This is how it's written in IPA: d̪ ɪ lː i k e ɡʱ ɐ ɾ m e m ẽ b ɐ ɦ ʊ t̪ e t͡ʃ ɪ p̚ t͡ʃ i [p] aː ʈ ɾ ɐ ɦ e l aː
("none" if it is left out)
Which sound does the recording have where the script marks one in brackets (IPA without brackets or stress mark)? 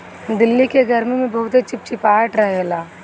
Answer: p